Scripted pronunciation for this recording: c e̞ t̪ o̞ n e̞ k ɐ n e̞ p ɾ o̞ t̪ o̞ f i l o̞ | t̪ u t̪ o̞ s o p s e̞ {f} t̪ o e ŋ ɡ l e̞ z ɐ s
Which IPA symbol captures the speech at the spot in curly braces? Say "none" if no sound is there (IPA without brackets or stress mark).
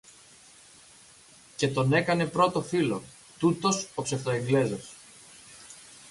f